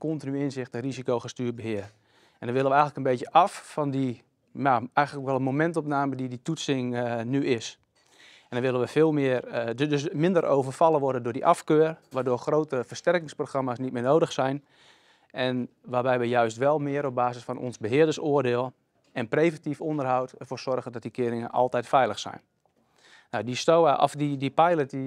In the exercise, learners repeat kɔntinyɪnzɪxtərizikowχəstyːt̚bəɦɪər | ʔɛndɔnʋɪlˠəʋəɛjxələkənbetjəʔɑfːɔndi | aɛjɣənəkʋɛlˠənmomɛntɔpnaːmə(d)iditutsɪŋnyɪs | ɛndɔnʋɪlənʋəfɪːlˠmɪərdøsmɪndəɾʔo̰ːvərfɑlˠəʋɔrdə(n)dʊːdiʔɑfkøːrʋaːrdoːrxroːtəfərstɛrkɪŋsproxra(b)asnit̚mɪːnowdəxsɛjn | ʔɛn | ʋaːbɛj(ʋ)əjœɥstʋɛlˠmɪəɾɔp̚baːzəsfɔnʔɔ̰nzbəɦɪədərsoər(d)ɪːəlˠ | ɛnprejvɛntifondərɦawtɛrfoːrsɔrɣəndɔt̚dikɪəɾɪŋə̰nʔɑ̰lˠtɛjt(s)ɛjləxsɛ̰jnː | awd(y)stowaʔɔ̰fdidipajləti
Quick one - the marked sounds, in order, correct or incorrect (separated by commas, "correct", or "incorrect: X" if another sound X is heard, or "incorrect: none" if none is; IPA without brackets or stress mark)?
correct, correct, incorrect: m, correct, correct, incorrect: f, incorrect: i